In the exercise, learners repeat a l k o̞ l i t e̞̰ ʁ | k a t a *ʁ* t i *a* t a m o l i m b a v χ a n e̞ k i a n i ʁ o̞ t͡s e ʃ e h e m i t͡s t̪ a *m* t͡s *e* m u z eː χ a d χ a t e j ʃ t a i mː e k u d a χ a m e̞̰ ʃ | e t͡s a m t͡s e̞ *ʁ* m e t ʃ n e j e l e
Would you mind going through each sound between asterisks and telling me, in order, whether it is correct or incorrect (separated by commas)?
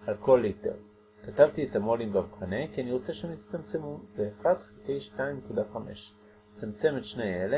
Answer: incorrect, incorrect, correct, correct, incorrect